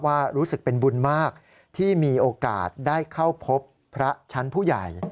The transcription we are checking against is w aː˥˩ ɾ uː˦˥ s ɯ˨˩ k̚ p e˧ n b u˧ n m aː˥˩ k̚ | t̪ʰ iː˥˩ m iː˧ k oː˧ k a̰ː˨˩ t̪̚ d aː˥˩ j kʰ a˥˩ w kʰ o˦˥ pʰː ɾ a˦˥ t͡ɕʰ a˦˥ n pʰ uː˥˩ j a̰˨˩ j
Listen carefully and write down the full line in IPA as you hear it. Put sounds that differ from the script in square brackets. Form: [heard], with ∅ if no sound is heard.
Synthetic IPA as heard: w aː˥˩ ɾ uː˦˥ s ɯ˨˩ k̚ p e˧ n b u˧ n m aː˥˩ k̚ | t̪ʰ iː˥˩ m iː˧ [ʔ] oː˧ k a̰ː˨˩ t̪̚ d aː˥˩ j kʰ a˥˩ w [pʰ] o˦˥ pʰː ɾ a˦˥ t͡ɕʰ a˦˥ n pʰ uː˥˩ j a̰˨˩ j